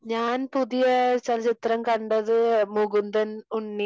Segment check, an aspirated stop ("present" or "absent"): absent